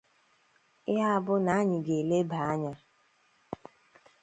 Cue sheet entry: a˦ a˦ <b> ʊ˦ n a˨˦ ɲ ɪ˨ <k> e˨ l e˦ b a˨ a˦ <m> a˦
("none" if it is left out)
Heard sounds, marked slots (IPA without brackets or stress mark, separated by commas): b, ɡ, ɲ